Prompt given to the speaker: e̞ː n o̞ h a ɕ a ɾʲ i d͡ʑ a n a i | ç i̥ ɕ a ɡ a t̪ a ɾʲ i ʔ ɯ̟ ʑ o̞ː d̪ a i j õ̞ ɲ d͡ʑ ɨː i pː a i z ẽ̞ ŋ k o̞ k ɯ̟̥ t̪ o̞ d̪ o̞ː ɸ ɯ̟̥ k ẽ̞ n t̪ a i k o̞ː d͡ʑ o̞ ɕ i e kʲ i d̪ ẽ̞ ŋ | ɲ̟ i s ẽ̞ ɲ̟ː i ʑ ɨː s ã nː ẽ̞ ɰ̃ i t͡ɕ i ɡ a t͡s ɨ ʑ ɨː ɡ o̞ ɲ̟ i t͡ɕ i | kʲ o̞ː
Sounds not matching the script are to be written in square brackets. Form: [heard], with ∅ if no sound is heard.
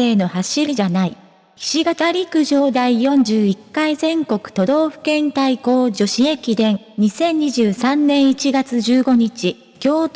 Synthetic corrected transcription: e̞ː n o̞ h a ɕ [i] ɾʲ i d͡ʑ a n a i | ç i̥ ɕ [i] ɡ a t̪ a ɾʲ i [k] ɯ̟ ʑ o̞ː d̪ a i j õ̞ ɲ d͡ʑ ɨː i [kː] a i z ẽ̞ ŋ k o̞ k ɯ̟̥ t̪ o̞ d̪ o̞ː ɸ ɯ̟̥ k ẽ̞ n t̪ a i k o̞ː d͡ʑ o̞ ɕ i e kʲ i d̪ ẽ̞ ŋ | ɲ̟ i s ẽ̞ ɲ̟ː i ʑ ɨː s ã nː ẽ̞ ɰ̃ i t͡ɕ i ɡ a t͡s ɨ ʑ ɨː ɡ o̞ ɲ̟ i t͡ɕ i | kʲ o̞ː